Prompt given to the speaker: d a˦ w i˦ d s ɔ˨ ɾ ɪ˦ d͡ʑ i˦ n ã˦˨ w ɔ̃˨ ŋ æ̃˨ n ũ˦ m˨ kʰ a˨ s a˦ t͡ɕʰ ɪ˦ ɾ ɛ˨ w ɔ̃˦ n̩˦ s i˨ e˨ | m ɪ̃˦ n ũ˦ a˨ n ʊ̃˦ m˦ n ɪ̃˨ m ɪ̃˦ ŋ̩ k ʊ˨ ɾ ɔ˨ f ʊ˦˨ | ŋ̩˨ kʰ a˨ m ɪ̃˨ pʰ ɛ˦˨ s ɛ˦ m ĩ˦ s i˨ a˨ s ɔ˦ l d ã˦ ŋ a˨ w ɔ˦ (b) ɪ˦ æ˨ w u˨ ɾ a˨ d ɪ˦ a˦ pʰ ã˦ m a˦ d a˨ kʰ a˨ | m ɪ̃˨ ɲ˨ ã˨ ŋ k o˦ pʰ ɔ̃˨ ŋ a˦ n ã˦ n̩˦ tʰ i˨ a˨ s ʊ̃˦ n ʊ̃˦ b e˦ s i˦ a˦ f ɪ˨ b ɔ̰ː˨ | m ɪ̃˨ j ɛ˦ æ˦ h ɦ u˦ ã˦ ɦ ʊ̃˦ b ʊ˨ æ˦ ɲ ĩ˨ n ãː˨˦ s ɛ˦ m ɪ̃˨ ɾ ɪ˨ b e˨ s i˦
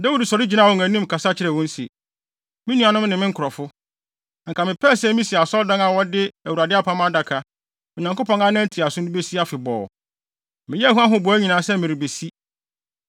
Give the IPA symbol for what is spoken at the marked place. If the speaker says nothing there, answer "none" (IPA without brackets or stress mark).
d